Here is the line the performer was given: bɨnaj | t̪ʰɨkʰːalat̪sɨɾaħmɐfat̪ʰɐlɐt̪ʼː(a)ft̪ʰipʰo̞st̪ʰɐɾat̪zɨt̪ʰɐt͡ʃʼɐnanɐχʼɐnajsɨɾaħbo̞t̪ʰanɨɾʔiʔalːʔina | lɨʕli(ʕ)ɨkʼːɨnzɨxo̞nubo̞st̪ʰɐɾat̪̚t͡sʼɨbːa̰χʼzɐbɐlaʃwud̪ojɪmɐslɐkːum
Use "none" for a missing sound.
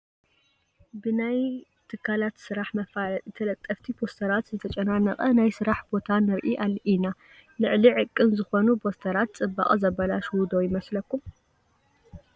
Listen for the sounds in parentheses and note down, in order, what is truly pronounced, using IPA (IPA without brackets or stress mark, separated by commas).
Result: ɐ, ʕ